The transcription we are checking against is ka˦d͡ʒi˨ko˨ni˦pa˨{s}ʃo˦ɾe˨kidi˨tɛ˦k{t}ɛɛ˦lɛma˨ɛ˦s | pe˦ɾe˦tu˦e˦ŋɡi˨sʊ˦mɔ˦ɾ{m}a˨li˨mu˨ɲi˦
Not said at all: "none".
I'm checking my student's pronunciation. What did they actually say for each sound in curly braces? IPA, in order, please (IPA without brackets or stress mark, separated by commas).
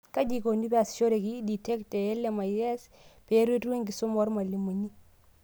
s, t, m